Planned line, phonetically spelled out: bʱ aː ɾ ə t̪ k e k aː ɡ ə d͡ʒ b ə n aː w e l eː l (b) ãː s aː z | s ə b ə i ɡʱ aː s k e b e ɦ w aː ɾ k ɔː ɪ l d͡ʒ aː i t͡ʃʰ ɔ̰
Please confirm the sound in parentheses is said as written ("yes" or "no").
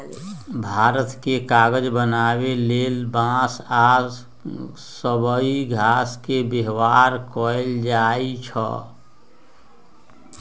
yes